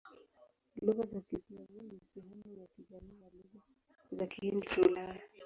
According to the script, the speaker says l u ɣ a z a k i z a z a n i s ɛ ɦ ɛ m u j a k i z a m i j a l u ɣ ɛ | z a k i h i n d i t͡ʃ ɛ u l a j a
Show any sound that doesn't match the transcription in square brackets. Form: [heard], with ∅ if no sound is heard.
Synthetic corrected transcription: l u ɣ a z a k i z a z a n i s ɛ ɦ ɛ m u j a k i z a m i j a l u ɣ [a] | z a k i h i n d i t͡ʃ [a] u l a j a

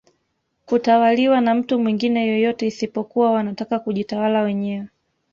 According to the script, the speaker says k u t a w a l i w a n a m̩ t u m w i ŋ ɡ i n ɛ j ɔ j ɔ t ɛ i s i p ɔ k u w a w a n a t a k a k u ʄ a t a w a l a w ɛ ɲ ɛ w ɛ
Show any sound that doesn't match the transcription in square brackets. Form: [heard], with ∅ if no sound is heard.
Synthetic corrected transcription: k u t a w a l i w a n a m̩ t u m w i ŋ ɡ i n ɛ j ɔ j ɔ t ɛ i s i p ɔ k u w a w a n a t a k a k u ʄ [i] t a w a l a w ɛ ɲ ɛ w ɛ

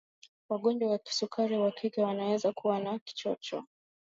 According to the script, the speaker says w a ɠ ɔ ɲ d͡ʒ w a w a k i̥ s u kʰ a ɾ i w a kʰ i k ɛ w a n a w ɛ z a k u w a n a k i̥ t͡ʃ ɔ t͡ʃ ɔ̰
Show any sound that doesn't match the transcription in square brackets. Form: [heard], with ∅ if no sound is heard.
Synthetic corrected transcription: w a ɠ ɔ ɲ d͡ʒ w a w a k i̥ s u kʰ a ɾ i w a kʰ i k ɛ w a n a w ɛ z a k u w a n a k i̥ t͡ʃ ɔ t͡ʃ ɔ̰

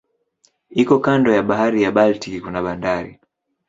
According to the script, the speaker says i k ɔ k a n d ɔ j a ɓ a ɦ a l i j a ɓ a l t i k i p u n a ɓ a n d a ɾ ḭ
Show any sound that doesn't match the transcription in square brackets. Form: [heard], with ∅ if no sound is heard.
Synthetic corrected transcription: i k ɔ k a n d ɔ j a ɓ a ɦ a [ɾ] i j a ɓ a l t i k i [k] u n a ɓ a n d a ɾ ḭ

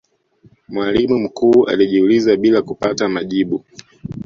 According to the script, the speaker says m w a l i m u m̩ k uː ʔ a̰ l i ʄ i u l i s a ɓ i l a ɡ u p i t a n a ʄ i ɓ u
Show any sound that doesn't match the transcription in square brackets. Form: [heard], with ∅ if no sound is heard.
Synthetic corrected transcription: m w a l i m u m̩ k uː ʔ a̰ l i ʄ i u l i [z] a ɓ i l a [k] u p [a] t a [m] a ʄ i ɓ u

